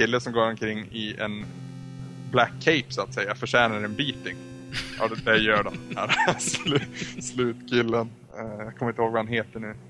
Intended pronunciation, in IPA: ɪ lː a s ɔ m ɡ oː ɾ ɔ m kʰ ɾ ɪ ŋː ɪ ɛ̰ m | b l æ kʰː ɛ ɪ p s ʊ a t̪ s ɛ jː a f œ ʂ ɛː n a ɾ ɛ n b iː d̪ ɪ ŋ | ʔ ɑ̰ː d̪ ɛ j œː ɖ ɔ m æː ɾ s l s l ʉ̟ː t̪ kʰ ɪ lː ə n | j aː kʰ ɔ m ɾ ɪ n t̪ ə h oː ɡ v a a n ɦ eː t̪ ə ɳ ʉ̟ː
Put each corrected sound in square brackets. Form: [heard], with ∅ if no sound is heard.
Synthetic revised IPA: ɪ lː [ə] s ɔ m ɡ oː ɾ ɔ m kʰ ɾ ɪ ŋː ɪ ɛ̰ [n] | b l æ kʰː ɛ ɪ p s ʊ a t̪ s ɛ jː a f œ ʂ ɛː n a ɾ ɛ n b iː [t̪] ɪ ŋ | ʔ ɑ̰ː d̪ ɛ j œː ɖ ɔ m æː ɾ s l s l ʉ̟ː t̪ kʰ ɪ lː ə n | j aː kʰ ɔ m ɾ ɪ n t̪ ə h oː ɡ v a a n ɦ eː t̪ ə ɳ ʉ̟ː